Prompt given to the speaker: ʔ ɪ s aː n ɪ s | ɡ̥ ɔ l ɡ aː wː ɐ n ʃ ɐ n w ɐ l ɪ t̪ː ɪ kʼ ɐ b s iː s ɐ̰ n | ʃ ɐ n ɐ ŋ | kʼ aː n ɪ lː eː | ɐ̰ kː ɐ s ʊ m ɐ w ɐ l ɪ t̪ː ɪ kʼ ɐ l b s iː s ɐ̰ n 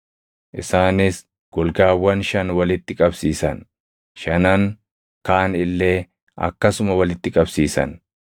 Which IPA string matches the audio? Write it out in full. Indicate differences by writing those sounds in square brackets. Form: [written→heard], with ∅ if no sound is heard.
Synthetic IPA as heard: ʔ ɪ s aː n ɪ s | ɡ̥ ɔ l ɡ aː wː ɐ n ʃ ɐ n w ɐ l ɪ t̪ː ɪ kʼ ɐ b s iː s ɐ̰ n | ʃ ɐ n ɐ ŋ | [kʼ→k] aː n ɪ lː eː | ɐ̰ kː ɐ s ʊ m ɐ w ɐ l ɪ t̪ː ɪ kʼ ɐ [l→∅] b s iː s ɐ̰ n